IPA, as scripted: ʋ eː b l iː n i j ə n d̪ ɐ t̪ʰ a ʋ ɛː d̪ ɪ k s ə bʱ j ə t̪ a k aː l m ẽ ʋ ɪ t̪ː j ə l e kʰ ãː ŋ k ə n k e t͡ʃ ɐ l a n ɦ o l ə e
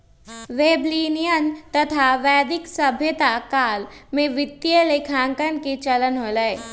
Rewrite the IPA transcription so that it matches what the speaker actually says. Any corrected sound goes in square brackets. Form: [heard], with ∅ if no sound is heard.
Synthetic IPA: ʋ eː b l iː n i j ə n [t̪] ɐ t̪ʰ a ʋ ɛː d̪ ɪ k s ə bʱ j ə t̪ a k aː l m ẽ ʋ ɪ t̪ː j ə l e kʰ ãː ŋ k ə n k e t͡ʃ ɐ l [ə] n ɦ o l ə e